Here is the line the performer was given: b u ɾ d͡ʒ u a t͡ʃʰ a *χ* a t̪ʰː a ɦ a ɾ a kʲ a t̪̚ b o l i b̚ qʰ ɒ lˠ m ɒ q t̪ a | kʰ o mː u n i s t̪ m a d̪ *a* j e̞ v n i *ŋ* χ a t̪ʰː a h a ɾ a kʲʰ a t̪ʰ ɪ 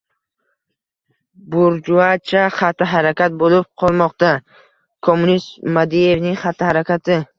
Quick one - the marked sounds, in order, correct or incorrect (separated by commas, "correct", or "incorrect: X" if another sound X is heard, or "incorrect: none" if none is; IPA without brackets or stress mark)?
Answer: correct, incorrect: i, correct